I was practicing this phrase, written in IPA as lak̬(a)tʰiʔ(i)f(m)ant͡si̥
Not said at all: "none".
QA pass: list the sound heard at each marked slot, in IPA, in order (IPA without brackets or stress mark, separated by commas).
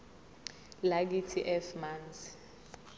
i, ɛ, m